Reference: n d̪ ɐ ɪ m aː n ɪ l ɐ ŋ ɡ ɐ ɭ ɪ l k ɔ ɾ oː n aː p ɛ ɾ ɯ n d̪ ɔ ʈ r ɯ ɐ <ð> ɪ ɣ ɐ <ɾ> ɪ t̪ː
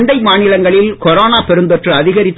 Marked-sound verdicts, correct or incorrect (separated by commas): correct, correct